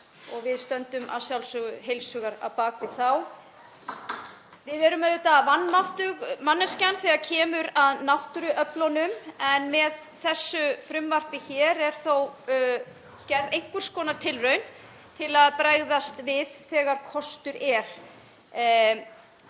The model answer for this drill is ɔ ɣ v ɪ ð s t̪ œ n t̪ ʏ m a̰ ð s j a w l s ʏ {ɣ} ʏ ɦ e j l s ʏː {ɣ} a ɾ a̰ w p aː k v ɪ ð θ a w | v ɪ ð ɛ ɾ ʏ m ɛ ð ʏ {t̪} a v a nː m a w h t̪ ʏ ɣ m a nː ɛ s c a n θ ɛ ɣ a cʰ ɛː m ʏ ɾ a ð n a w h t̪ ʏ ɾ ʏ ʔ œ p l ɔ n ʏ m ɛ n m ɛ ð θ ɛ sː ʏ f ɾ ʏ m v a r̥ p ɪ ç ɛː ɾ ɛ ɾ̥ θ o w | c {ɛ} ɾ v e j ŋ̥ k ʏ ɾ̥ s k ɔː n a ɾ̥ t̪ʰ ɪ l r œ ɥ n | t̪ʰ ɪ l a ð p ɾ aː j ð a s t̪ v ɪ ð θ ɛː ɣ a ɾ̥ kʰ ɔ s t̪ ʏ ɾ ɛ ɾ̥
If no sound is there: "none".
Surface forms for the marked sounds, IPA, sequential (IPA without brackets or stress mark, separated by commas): ɣ, ɣ, t̪, ɛ